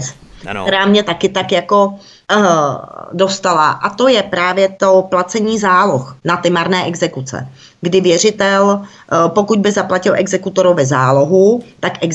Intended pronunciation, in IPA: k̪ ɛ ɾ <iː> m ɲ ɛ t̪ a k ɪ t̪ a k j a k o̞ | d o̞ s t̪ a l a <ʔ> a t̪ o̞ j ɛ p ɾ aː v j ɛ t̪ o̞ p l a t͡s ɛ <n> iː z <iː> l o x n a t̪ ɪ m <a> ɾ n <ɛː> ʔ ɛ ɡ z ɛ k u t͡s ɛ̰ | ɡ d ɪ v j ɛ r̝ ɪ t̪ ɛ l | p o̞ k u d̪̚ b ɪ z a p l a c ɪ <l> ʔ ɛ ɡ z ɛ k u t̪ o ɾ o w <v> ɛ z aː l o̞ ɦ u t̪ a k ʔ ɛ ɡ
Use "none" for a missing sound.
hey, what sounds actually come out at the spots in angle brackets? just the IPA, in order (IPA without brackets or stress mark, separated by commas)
aː, ʔ, ɲ, aː, a, ɛː, l, v